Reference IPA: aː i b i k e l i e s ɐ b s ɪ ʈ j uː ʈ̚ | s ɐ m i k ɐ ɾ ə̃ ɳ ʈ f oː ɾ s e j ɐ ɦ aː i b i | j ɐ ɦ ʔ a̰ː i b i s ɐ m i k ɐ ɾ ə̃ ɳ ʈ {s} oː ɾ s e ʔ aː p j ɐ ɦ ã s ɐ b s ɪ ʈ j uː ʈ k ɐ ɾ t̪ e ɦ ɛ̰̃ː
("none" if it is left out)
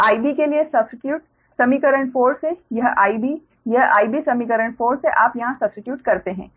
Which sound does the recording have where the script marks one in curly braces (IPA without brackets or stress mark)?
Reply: f